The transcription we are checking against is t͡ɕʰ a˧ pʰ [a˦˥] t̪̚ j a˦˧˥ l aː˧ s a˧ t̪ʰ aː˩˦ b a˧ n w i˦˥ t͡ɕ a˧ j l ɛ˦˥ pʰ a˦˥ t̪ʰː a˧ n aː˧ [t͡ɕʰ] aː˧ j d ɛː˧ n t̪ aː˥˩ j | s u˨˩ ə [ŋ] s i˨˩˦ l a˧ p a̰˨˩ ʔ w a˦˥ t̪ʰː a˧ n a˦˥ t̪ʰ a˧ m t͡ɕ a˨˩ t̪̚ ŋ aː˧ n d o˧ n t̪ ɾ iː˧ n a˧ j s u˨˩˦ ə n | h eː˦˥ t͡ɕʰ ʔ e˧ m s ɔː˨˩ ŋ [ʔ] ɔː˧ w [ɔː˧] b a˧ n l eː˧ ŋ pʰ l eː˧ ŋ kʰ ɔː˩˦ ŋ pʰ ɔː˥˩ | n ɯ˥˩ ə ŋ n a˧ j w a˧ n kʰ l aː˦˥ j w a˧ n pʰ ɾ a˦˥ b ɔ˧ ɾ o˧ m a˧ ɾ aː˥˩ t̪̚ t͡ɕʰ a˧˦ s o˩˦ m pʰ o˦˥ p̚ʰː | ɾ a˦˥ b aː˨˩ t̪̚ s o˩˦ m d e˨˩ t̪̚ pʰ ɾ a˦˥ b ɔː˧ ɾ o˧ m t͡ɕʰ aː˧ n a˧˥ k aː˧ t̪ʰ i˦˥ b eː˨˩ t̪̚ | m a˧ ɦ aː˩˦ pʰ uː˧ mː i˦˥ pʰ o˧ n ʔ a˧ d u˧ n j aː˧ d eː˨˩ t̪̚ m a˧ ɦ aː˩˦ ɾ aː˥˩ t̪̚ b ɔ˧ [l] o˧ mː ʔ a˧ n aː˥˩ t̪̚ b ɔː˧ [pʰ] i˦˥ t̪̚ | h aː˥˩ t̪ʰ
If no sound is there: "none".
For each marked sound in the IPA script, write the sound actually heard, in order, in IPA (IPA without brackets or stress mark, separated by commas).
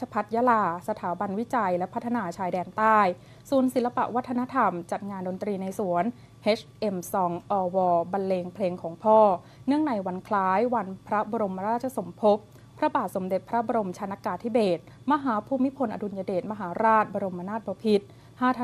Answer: a˦˥, t͡ɕʰ, n, ʔ, ɔː˧, ɾ, pʰ